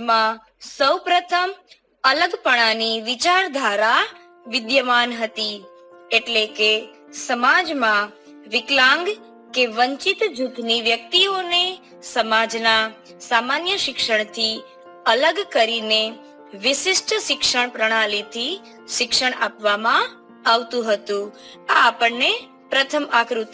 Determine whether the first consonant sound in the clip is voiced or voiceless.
voiced